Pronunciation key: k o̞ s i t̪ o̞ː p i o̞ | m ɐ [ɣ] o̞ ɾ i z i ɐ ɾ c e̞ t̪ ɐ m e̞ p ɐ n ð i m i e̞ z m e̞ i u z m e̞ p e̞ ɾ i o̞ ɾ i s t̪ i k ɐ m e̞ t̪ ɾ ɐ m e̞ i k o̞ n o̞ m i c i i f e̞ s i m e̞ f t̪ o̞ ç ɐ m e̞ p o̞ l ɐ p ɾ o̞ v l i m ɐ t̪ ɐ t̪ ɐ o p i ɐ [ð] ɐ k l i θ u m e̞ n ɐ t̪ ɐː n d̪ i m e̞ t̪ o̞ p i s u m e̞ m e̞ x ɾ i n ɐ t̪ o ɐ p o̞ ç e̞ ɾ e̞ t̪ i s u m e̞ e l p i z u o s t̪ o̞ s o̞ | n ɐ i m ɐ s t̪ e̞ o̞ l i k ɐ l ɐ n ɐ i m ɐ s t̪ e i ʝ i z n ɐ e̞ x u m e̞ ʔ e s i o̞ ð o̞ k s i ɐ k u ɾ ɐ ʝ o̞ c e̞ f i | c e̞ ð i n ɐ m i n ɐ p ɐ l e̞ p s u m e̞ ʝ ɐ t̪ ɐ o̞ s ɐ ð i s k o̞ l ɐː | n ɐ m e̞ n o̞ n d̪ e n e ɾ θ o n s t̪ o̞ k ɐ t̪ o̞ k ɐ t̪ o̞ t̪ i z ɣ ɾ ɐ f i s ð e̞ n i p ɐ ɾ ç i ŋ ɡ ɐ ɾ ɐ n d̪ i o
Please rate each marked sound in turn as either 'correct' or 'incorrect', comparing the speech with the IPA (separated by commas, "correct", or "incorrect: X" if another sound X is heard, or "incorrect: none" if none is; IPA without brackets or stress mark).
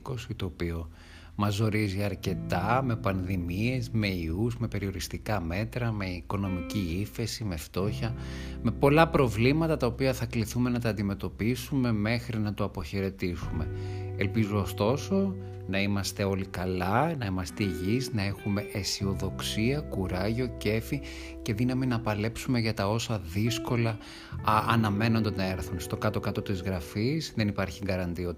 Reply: incorrect: z, incorrect: θ